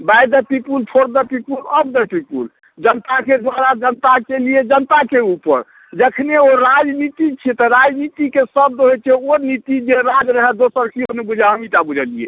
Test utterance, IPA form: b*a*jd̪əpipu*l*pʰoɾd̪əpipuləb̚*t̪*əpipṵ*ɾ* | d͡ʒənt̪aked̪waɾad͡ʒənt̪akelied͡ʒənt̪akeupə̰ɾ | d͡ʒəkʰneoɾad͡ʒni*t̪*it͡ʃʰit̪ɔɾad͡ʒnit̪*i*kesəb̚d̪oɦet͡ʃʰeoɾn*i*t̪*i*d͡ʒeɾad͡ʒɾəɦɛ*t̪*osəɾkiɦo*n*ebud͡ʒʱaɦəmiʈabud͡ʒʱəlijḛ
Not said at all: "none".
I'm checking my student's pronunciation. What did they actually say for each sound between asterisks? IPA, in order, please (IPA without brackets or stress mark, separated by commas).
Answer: a, l, d̪, l, t̪, i, i, i, d̪, n